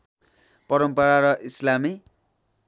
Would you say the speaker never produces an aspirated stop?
yes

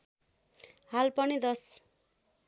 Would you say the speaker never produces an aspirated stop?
yes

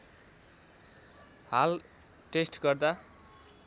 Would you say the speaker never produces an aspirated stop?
yes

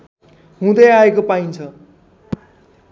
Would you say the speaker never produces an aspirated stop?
no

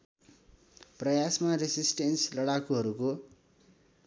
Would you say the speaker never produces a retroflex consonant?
no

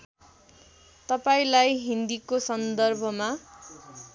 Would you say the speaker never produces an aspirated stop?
yes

